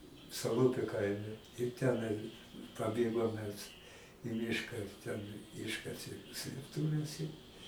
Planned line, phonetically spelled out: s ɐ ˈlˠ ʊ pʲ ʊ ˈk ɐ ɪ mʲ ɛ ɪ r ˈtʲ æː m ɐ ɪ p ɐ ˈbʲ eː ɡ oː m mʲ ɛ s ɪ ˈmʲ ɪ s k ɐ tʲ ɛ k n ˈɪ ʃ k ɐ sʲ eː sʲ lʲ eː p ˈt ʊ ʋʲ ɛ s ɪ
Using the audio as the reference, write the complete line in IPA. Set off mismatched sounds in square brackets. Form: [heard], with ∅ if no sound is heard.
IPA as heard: s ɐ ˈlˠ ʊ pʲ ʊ ˈk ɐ ɪ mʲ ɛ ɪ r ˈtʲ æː [n] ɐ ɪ p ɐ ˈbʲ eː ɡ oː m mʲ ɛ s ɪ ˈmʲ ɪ [ʃ] k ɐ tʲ ɛ [∅] n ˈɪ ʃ k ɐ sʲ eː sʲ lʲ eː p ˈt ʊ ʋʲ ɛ s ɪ